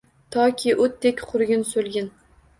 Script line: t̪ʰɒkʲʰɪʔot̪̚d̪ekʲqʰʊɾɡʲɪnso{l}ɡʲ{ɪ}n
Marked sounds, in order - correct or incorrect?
correct, correct

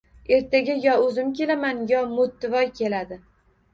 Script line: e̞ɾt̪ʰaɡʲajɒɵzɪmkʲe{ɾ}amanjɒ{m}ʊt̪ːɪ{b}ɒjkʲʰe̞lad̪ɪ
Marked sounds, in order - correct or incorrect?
incorrect, correct, incorrect

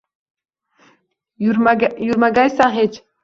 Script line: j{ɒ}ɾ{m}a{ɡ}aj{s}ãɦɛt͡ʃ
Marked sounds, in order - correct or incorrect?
incorrect, correct, correct, correct

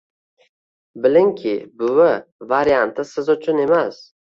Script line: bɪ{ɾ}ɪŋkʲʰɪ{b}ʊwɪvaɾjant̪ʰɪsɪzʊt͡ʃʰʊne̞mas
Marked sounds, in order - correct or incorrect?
incorrect, correct

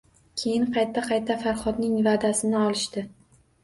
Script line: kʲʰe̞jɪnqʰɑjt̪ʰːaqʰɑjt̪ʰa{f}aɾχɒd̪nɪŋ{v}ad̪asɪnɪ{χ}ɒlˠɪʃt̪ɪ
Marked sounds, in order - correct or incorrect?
correct, correct, incorrect

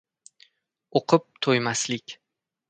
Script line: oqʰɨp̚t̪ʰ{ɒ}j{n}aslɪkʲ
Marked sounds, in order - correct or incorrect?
incorrect, incorrect

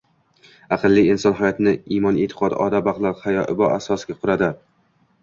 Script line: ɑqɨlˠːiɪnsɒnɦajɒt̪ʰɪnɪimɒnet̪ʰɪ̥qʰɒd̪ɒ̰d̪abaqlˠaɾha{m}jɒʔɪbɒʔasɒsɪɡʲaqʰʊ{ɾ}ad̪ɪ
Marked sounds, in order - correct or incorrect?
incorrect, correct

